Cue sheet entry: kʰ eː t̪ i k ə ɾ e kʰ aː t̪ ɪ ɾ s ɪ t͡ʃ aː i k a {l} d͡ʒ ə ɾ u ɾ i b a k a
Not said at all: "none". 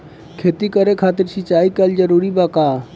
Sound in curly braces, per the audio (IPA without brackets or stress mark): l